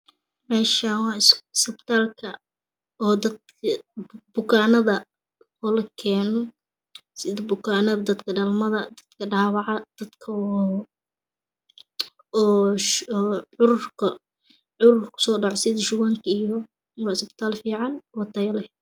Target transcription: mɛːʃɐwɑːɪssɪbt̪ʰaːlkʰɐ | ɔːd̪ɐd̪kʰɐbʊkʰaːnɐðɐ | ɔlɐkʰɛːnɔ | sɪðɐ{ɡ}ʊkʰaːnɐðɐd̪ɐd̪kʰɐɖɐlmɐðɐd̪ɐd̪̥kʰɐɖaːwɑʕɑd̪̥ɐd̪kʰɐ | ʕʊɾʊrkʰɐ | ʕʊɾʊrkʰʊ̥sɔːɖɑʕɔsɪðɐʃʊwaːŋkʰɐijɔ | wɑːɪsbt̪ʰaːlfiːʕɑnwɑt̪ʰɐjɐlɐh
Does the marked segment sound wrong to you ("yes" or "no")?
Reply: yes